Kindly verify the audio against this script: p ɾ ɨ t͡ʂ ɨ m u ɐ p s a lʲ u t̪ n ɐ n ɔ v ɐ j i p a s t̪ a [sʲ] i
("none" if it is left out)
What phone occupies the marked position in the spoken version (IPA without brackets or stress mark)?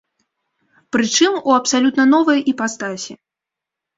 sʲ